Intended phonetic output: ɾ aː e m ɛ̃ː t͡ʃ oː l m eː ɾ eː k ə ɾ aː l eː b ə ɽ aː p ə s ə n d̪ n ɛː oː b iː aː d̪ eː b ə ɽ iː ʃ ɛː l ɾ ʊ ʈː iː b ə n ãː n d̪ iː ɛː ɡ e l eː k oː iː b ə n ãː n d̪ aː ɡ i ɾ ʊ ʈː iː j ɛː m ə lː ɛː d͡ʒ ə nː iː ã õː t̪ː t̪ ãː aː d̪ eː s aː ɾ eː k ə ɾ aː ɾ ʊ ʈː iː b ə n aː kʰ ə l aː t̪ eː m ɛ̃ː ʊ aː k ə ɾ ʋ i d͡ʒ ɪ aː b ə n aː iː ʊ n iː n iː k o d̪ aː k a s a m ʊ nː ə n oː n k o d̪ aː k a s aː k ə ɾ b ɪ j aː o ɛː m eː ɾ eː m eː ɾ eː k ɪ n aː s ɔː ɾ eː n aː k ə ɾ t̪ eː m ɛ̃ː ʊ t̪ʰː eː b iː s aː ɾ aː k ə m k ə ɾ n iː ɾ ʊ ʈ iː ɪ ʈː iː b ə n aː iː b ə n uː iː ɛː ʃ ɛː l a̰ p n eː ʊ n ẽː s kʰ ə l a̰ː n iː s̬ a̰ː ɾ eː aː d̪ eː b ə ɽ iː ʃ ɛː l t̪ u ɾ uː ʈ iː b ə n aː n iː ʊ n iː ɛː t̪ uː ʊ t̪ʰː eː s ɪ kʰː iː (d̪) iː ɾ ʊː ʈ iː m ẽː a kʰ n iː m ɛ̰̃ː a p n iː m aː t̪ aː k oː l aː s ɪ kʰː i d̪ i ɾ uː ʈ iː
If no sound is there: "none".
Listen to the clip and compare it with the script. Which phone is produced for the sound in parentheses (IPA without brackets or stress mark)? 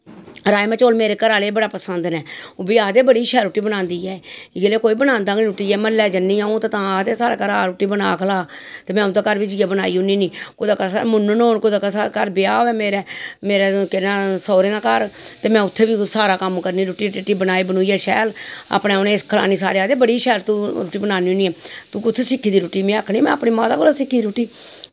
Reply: d̪